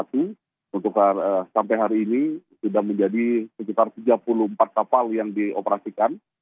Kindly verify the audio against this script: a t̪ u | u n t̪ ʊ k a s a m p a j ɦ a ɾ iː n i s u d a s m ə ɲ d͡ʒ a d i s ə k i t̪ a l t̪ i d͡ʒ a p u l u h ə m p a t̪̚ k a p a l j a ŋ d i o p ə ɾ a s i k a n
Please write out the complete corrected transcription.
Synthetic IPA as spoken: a t̪ u | u n t̪ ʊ k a s a m p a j ɦ a ɾ iː n i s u d a h m ə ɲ d͡ʒ a d i s ə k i t̪ a r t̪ i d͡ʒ a p u l u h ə m p a t̪̚ k a p a l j a ŋ d i o p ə ɾ a s i k a n